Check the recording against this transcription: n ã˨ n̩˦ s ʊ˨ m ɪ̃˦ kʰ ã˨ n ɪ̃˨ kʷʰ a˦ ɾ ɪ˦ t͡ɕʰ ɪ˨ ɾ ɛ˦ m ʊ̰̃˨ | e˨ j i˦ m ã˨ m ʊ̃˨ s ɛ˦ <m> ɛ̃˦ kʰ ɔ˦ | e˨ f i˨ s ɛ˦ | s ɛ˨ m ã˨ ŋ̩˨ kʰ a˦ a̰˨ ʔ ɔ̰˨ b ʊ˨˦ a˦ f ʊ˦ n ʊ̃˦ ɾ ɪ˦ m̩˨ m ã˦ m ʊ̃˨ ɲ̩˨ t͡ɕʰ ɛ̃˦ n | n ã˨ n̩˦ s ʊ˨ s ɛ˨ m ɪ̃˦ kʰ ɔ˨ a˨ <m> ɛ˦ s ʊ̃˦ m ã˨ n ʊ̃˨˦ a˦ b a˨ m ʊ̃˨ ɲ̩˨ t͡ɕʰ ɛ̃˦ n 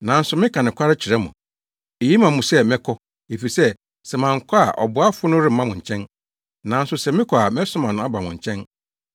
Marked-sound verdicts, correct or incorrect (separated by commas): correct, correct